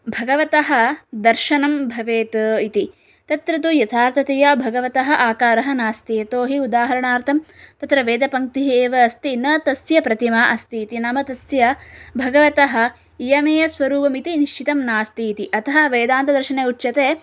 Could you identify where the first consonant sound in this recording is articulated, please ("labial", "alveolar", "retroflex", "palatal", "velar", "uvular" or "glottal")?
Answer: labial